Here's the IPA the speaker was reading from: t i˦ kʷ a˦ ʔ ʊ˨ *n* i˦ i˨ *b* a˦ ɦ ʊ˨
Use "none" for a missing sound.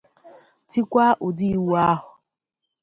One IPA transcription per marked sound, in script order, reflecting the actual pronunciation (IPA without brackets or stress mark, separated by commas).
d, w